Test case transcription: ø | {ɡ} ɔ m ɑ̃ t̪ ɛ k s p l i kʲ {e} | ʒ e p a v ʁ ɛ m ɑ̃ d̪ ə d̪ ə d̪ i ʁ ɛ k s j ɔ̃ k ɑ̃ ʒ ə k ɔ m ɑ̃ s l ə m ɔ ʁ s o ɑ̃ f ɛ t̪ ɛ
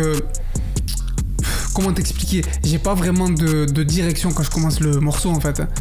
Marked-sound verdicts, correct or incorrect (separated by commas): incorrect, correct